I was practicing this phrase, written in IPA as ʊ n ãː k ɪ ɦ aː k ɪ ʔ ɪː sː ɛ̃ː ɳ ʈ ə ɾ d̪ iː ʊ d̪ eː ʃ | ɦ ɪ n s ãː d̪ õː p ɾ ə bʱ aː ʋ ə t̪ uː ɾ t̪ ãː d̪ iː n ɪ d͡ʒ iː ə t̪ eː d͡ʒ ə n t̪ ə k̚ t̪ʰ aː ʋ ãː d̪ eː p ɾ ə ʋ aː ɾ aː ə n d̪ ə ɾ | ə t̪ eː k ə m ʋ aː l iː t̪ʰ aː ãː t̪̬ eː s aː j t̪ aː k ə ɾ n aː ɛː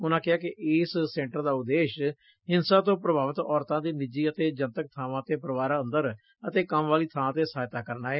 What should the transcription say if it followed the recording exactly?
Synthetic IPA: ʊ n ãː k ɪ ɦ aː k ɪ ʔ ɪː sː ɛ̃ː ɳ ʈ ə ɾ d̪ aː ʊ d̪ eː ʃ | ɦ ɪ n s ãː t̪ õː p ɾ ə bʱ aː ʋ ə t̪ ɔː ɾ t̪ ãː d̪ iː n ɪ d͡ʒ iː ə t̪ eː d͡ʒ ə n t̪ ə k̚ t̪ʰ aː ʋ ãː t̪ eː p ɾ ə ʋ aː ɾ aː ə n d̪ ə ɾ | ə t̪ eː k ə m ʋ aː l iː t̪ʰ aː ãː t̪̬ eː s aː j t̪ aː k ə ɾ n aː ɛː

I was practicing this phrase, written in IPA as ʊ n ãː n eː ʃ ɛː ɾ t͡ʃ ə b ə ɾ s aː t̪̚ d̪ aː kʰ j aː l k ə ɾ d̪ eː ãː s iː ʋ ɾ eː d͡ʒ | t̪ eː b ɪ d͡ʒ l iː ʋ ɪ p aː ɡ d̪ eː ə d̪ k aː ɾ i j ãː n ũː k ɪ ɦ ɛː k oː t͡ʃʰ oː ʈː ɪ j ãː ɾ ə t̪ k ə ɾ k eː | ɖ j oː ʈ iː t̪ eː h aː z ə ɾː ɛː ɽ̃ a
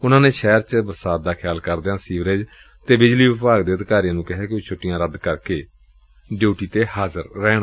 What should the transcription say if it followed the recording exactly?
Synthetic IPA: ʊ n ãː n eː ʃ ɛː ɾ t͡ʃ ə b ə ɾ s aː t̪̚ d̪ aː kʰ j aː l k ə ɾ d̪ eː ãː s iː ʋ ɾ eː d͡ʒ | t̪ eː b ɪ d͡ʒ l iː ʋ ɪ p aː ɡ d̪ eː ə d̪ k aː ɾ i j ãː n ũː k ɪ ɦ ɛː k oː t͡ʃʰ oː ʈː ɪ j ãː ɾ ə d̪ k ə ɾ k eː | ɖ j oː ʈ iː t̪ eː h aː z ə ɾː ɛː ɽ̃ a

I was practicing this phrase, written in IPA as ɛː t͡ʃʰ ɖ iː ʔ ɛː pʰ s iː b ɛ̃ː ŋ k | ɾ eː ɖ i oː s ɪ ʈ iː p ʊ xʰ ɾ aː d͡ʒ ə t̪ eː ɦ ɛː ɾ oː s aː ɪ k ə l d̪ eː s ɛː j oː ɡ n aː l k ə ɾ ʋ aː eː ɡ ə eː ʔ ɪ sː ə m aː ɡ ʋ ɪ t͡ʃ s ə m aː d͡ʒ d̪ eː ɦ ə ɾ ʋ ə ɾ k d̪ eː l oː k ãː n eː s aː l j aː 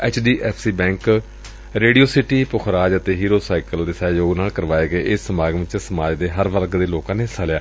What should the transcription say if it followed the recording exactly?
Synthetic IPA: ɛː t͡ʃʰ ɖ iː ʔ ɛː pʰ s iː b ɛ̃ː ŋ k | ɾ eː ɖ i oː s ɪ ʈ iː p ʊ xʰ ɾ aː d͡ʒ ə t̪ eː ɦ iː ɾ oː s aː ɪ k ə l d̪ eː s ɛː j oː ɡ n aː l k ə ɾ ʋ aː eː ɡ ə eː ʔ ɪ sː ə m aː ɡ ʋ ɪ t͡ʃ s ə m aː d͡ʒ d̪ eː ɦ ə ɾ ʋ ə ɾ k d̪ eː l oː k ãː n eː s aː l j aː

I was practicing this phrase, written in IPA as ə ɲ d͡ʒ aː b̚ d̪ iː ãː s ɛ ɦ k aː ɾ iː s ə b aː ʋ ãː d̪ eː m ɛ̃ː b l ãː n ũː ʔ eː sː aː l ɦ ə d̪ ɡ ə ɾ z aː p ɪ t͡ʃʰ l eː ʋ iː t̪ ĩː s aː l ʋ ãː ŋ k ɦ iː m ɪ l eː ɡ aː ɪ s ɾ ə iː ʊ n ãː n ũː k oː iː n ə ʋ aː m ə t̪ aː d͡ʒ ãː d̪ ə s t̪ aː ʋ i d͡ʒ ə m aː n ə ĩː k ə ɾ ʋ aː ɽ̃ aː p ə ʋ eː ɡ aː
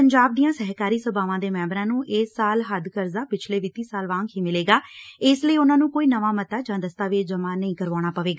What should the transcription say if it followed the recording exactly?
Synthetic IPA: ə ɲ d͡ʒ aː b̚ d̪ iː ãː s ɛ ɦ k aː ɾ iː s ə b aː ʋ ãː d̪ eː m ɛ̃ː b ɾ ãː n ũː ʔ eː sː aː l ɦ ə d̪ k ə ɾ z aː p ɪ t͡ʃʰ l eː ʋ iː t̪ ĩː s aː l ʋ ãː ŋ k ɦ iː m ɪ l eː ɡ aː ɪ s l ə iː ʊ n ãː n ũː k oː iː n ə ʋ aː m ə t̪ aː d͡ʒ ãː d̪ ə s t̪ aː ʋ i d͡ʒ ə m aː n ə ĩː k ə ɾ ʋ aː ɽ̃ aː p ə ʋ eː ɡ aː

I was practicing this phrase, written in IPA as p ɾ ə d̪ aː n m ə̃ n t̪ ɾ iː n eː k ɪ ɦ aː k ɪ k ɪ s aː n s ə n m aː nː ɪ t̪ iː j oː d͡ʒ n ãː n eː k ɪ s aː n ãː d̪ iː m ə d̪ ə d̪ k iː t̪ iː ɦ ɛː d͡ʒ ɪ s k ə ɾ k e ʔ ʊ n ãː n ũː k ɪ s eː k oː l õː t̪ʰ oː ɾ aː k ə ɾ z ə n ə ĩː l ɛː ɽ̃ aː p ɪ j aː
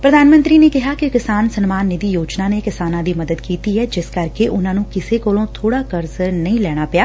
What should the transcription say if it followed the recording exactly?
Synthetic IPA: p ɾ ə d̪ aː n m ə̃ n t̪ ɾ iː n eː k ɪ ɦ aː k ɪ k ɪ s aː n s ə n m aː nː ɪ d̪ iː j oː d͡ʒ n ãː n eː k ɪ s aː n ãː d̪ iː m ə d̪ ə d̪ k iː t̪ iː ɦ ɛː d͡ʒ ɪ s k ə ɾ k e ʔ ʊ n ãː n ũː k ɪ s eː k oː l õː t̪ʰ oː ɽ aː k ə ɾ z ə n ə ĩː l ɛː ɽ̃ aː p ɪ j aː

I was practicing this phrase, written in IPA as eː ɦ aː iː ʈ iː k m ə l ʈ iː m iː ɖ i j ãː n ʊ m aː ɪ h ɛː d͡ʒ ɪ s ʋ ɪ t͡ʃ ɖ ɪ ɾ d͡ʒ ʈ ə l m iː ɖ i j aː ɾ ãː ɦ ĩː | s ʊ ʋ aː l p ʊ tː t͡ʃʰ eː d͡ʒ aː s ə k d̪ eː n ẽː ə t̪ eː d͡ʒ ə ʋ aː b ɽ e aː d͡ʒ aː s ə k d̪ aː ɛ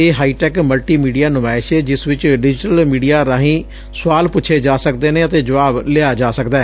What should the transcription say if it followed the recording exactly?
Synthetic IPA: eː ɦ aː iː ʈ ɛː k m ə l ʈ iː m iː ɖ i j aː n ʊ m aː ɪ ʃ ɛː d͡ʒ ɪ s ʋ ɪ t͡ʃ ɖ ɪ d͡ʒ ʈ ə l m iː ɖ i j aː ɾ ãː ɦ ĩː | s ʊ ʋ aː l p ʊ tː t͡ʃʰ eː d͡ʒ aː s ə k d̪ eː n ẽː ə t̪ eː d͡ʒ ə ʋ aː b l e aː d͡ʒ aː s ə k d̪ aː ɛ

